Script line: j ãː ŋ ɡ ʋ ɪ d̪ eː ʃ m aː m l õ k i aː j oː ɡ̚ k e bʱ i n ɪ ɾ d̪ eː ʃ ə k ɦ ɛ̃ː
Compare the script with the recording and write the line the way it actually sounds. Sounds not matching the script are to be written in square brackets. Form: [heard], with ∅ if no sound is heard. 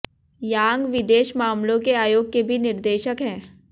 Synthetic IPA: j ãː ŋ ɡ ʋ ɪ d̪ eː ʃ m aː m l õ k [e] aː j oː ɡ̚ k e bʱ i n ɪ ɾ d̪ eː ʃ ə k ɦ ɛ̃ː